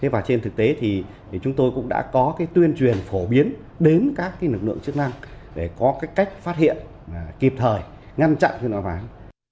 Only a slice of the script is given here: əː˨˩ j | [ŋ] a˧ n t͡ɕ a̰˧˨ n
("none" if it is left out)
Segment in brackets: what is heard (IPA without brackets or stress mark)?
ŋ